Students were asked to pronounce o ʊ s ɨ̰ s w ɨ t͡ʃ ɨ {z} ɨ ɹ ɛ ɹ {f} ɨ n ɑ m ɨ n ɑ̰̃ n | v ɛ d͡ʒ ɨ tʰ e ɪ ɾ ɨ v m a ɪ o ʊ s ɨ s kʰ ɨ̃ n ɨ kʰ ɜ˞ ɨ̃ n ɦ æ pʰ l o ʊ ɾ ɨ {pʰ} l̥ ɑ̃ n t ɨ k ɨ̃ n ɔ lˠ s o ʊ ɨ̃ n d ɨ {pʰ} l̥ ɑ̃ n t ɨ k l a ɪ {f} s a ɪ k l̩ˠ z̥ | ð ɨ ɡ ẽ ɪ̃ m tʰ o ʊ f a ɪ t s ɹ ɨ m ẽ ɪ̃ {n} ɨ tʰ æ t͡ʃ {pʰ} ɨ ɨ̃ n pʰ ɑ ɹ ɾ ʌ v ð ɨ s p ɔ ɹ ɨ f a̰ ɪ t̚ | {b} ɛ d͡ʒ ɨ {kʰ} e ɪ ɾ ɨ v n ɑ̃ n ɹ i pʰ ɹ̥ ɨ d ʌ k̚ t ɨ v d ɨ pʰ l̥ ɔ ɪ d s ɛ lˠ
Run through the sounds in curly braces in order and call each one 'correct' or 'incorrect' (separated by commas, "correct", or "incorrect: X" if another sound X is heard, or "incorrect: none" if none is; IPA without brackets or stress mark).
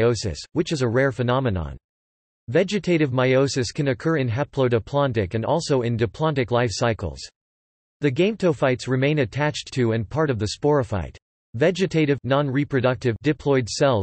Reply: correct, correct, correct, correct, correct, correct, incorrect: tʰ, incorrect: v, incorrect: tʰ